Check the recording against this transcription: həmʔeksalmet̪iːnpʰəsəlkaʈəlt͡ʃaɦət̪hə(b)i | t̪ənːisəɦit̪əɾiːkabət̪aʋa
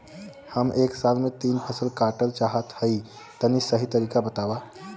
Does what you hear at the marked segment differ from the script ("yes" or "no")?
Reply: yes